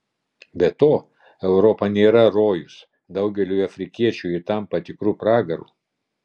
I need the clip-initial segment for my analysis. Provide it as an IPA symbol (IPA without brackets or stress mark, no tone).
bʲ